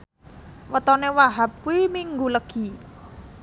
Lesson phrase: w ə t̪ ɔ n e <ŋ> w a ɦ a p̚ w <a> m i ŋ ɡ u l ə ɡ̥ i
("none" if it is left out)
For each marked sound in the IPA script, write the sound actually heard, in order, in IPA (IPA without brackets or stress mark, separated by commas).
none, i